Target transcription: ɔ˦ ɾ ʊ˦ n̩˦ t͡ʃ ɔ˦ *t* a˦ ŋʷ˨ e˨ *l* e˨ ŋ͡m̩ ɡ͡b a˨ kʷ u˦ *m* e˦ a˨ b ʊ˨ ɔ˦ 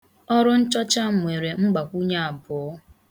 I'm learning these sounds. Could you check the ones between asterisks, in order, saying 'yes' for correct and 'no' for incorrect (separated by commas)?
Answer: no, no, no